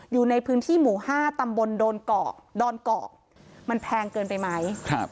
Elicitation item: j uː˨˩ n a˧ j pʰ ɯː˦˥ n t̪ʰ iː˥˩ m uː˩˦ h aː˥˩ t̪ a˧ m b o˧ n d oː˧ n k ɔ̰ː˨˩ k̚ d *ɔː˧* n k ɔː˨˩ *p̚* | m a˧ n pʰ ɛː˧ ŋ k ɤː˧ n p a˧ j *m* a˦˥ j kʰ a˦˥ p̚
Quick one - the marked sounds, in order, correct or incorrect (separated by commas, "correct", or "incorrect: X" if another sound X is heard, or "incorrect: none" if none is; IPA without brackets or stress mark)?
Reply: correct, incorrect: k̚, correct